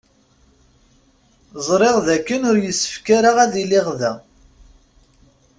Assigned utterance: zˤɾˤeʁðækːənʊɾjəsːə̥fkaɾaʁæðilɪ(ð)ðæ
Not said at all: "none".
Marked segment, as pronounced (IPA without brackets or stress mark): ʁ